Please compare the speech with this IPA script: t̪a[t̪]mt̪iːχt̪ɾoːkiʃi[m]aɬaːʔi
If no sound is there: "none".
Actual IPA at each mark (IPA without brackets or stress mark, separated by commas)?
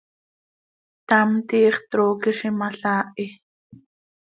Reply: none, m